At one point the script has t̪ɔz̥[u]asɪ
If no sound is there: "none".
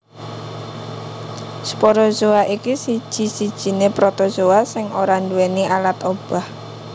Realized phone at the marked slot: o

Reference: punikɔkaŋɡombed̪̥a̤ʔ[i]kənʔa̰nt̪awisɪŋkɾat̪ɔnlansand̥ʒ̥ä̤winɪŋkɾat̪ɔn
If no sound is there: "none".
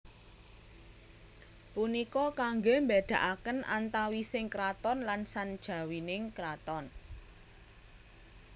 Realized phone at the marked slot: a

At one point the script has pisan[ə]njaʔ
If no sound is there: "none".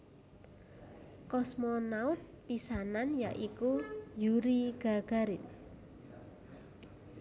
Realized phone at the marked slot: a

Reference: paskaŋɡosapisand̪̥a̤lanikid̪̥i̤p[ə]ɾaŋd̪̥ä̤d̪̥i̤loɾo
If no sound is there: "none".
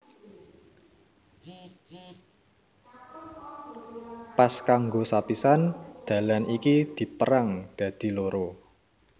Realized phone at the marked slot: ə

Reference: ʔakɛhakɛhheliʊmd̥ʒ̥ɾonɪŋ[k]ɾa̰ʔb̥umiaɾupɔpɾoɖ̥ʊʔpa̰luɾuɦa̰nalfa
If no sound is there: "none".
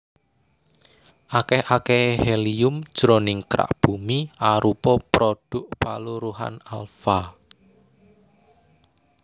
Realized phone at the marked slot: k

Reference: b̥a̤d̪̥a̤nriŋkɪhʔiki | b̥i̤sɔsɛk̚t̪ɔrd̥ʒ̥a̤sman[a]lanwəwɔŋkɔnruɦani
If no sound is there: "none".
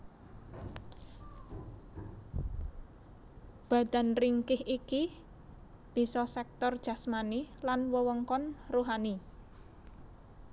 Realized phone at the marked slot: i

